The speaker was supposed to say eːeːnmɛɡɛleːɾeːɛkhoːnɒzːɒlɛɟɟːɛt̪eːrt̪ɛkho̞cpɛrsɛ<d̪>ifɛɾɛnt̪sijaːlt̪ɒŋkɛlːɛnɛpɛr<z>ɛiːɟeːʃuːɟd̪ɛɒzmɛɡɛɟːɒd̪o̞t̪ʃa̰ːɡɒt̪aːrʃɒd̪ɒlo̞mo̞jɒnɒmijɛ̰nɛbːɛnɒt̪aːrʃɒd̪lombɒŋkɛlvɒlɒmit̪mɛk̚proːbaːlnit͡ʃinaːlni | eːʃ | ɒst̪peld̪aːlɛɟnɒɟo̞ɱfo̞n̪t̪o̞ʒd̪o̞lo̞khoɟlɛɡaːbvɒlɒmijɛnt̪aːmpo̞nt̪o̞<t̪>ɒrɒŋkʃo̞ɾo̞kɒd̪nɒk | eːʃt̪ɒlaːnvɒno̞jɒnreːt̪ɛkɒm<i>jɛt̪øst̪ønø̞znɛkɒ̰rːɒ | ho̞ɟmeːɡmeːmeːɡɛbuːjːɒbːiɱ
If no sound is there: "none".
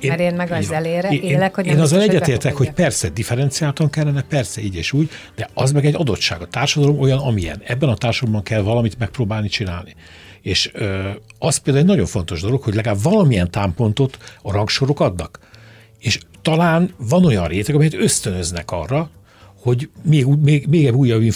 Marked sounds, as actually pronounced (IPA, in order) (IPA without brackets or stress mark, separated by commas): d̪, s, t̪, ɛ